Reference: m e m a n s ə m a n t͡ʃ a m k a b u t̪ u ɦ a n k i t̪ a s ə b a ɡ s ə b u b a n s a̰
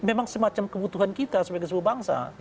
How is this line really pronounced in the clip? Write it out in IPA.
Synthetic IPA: m e m a ŋ s ə m a t͡ʃ a m k ə b u t̪ u ɦ a n k i t̪ a s ə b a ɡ s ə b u b a ŋ s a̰